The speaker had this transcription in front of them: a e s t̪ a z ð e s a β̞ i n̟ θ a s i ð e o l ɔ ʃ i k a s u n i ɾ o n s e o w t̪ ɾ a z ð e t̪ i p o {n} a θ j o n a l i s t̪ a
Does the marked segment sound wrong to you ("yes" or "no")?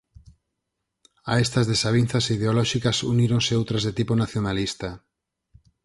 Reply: no